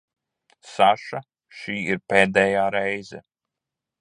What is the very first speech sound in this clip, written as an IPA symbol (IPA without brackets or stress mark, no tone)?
s